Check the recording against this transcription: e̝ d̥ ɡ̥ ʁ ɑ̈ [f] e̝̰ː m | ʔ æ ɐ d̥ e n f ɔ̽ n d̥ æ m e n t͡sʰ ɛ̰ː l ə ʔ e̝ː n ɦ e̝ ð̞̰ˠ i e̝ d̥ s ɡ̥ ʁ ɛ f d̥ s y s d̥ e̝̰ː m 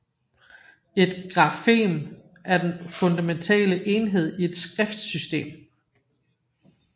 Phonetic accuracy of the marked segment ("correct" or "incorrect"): correct